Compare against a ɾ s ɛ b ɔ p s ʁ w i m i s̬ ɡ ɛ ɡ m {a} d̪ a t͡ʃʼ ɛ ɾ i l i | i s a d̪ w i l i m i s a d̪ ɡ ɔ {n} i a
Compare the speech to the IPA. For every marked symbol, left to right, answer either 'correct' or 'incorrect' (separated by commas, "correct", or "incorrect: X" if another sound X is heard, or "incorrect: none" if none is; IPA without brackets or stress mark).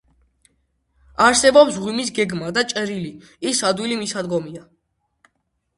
correct, incorrect: m